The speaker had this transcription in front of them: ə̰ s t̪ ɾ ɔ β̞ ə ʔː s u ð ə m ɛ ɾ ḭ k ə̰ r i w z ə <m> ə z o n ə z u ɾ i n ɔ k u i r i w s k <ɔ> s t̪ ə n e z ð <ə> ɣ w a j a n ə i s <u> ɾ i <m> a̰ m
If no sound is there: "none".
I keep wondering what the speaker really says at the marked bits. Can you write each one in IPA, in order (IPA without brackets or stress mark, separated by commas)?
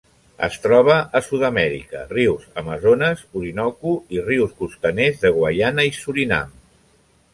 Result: m, u, ə, u, n